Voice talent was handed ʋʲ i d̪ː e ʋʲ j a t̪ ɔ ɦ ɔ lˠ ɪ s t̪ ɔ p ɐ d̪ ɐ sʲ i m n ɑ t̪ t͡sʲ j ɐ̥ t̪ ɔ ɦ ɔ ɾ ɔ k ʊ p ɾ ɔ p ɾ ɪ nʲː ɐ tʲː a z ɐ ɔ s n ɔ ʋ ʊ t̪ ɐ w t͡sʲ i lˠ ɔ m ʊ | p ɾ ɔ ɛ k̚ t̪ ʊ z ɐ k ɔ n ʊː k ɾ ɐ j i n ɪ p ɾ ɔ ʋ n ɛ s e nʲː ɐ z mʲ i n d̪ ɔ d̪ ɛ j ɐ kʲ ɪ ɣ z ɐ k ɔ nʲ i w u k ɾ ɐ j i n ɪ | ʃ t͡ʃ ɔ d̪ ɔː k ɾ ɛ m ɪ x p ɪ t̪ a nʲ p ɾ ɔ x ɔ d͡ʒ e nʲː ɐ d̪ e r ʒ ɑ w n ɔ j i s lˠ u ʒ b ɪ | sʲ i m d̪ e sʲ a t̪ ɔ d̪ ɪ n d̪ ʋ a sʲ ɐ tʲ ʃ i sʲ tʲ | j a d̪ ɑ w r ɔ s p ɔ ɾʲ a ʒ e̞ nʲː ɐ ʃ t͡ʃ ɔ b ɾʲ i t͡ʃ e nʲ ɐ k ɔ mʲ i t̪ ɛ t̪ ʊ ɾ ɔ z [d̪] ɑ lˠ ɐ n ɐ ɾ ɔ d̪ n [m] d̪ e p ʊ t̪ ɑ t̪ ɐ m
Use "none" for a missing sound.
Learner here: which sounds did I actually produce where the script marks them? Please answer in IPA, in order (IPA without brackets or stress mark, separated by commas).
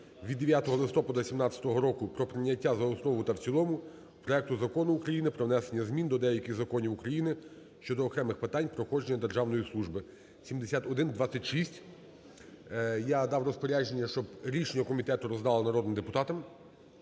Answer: d̪, m